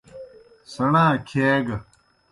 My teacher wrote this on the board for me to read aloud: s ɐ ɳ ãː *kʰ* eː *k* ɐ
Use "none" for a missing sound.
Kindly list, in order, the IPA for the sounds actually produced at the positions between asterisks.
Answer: kʰ, ɡ

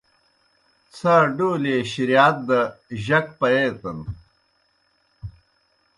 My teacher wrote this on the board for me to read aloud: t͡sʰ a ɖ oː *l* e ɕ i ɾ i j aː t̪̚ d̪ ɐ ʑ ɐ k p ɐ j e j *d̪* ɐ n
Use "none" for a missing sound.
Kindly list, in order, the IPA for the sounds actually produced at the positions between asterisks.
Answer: l, t̪

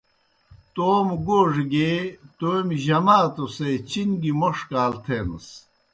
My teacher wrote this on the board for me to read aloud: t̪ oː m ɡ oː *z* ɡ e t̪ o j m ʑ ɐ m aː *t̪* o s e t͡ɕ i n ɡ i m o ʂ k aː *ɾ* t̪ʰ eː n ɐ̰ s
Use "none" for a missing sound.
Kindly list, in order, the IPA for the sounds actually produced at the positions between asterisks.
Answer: ʐ, t̪, l

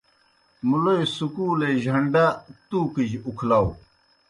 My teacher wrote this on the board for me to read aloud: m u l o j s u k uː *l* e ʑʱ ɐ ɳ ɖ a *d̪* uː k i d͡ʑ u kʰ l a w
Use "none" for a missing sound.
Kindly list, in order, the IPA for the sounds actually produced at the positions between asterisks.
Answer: l, t̪

